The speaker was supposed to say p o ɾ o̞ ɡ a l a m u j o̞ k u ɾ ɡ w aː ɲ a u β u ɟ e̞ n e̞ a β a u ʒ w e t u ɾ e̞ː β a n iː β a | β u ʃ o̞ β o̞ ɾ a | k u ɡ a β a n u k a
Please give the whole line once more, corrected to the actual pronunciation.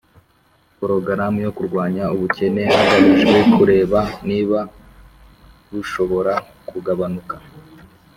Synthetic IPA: p o ɾ o̞ ɡ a ɾ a m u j o̞ k u ɾ ɡ w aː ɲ a u β u c e̞ n e̞ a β a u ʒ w e k u ɾ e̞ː β a n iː β a | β u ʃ o̞ β o̞ ɾ a | k u ɡ a β a n u k a